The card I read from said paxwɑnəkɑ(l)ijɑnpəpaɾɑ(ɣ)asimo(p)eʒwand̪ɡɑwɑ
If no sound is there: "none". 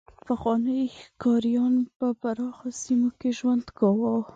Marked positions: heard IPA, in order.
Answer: ɾ, x, k

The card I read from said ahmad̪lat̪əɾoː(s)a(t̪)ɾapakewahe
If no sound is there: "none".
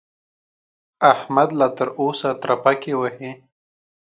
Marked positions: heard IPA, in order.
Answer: s, t̪

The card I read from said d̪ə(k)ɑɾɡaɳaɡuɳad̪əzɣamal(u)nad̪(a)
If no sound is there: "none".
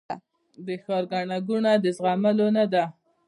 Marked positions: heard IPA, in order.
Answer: x, o, a

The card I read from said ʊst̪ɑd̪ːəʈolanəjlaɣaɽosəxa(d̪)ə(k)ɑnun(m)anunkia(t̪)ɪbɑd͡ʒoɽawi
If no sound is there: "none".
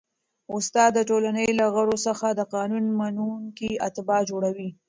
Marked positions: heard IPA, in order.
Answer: d̪, q, m, t̪

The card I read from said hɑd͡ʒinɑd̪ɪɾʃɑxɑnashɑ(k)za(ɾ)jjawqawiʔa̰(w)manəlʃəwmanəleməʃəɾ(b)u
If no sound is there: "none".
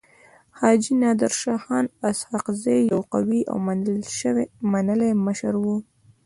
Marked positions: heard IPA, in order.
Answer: q, none, w, w

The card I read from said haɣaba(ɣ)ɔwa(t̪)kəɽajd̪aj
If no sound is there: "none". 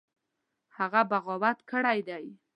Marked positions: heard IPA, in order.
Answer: ɣ, t̪

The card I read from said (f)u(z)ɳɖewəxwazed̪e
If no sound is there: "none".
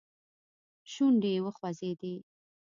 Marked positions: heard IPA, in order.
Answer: ʃ, none

